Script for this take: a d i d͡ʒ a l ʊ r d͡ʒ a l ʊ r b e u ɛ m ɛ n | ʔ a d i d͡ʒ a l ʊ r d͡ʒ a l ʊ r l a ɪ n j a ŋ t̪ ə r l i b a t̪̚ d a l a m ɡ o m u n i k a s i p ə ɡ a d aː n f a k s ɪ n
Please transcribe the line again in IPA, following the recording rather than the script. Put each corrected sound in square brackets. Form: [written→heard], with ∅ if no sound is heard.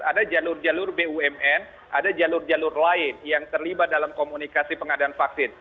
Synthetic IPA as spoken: a d [i→a] d͡ʒ a l ʊ r d͡ʒ a l ʊ r b e u ɛ m ɛ n | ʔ a d [i→a] d͡ʒ a l ʊ r d͡ʒ a l ʊ r l a ɪ n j a ŋ t̪ ə r l i b a t̪̚ d a l a m [ɡ→k] o m u n i k a s i p ə [ɡ→ŋ] a d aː n f a k s ɪ n